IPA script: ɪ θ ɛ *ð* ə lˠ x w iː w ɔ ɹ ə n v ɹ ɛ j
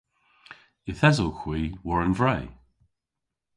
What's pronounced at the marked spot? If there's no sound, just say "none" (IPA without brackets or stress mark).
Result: z